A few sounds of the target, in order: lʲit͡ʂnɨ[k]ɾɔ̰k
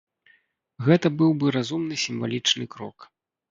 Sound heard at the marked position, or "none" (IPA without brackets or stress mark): k